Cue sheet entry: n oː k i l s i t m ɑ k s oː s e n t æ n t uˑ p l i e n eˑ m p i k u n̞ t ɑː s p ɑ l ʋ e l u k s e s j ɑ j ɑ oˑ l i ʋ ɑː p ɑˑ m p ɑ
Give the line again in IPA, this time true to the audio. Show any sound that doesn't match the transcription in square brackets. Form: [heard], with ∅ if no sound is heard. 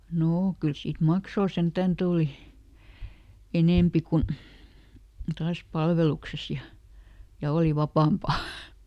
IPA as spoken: n oː k [y] l s [iː] t m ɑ k s oː s e n t æ n t uˑ [∅] l i e n eˑ m p i k u n̞ t ɑː s p ɑ l ʋ e l u k s e s j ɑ j ɑ oˑ l i ʋ [ɑ] p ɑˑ m p ɑ